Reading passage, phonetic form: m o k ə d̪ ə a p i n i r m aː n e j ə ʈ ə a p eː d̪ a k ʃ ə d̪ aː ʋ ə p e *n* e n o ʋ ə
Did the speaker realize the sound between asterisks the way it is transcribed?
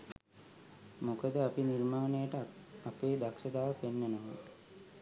no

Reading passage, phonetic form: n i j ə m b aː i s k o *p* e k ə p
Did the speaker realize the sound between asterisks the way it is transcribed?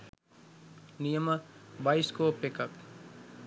yes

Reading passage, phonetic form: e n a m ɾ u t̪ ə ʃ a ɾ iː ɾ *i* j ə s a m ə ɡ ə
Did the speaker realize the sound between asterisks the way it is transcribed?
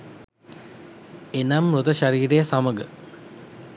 no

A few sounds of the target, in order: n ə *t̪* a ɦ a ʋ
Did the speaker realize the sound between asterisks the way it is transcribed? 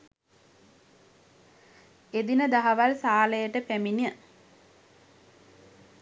no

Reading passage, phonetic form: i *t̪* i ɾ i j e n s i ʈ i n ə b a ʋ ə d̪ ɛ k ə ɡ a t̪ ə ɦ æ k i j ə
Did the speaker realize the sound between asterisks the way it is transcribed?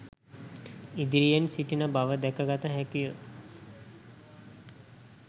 no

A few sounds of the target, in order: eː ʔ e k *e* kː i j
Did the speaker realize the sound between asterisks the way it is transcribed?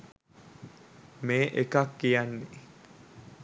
no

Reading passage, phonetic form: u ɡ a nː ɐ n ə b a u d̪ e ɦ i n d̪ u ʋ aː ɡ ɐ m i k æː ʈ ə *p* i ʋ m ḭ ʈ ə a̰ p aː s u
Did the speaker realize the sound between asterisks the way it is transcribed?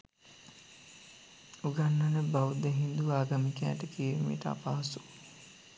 no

